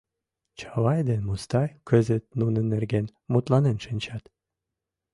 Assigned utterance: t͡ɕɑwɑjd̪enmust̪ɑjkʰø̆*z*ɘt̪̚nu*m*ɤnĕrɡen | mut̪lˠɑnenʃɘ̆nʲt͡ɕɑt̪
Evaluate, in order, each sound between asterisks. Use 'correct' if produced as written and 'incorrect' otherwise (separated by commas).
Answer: correct, incorrect